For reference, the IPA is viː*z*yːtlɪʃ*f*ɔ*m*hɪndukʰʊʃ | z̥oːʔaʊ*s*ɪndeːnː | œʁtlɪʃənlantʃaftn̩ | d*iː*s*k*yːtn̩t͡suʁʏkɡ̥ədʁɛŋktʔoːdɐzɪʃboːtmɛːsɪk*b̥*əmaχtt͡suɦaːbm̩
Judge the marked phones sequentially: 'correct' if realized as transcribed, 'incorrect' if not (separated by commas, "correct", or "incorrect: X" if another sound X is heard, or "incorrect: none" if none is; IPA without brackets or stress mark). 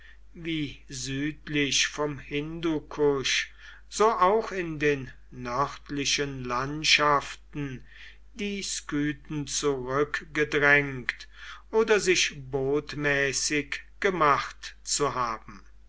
correct, correct, correct, incorrect: x, correct, correct, incorrect: ɡ̥